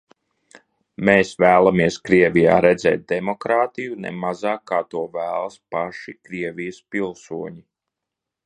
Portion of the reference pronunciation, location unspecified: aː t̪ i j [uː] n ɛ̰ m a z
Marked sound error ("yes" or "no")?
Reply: yes